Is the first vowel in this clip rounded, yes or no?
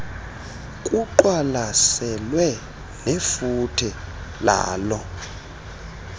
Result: yes